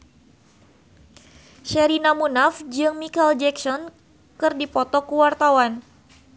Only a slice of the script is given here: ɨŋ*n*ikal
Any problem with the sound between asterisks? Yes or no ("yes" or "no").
yes